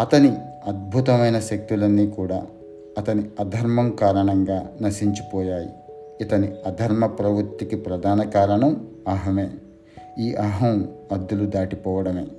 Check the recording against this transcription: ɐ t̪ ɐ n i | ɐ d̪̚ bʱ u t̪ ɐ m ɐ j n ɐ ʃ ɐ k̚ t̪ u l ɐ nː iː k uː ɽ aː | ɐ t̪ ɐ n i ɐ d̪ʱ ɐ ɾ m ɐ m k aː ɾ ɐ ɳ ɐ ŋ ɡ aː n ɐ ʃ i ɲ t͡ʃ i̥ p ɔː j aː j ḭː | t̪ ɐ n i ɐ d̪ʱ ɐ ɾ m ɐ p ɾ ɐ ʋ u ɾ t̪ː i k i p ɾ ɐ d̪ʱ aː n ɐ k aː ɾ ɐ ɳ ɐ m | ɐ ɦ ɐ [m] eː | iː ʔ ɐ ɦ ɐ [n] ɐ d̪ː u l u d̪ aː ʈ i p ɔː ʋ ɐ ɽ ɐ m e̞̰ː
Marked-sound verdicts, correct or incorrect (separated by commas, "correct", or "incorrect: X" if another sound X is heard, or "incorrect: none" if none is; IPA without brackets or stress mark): correct, incorrect: m